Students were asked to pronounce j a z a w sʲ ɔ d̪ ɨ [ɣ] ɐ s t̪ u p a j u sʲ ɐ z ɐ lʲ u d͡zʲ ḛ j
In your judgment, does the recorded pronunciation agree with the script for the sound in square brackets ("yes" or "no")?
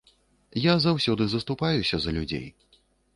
no